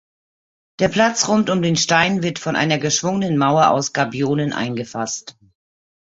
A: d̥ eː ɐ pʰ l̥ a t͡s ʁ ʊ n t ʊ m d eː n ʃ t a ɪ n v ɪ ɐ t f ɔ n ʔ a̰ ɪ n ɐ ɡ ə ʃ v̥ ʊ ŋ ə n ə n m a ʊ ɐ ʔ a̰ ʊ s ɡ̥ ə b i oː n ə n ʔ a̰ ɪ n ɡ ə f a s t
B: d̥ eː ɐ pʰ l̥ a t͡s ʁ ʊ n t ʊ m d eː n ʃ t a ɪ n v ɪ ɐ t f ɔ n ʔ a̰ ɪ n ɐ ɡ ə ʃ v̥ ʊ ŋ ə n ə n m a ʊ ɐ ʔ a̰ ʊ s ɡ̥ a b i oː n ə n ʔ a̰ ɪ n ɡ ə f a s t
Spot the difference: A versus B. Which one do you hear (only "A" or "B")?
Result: B